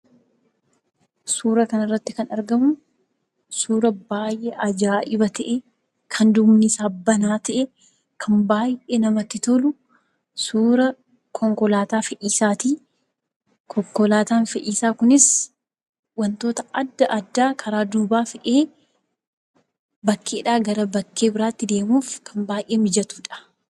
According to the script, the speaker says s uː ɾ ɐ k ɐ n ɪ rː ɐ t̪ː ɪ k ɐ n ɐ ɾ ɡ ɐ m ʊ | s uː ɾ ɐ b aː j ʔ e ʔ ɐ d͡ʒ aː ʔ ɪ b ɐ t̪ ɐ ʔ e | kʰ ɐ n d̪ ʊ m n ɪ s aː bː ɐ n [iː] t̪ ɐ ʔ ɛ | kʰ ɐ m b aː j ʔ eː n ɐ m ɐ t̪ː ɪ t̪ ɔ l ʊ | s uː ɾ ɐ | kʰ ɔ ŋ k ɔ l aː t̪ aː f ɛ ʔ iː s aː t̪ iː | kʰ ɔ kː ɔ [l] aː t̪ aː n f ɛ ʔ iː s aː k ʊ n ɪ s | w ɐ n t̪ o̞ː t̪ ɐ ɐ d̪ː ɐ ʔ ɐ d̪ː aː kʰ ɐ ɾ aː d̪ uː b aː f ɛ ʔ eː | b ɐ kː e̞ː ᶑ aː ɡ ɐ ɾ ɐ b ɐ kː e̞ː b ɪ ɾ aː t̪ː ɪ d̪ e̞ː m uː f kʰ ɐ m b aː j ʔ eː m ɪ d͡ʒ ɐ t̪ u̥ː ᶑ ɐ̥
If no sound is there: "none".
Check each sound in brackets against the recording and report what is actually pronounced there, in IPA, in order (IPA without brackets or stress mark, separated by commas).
aː, l